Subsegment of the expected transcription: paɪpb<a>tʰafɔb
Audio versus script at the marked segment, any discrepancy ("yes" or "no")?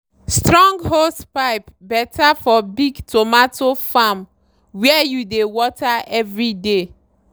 yes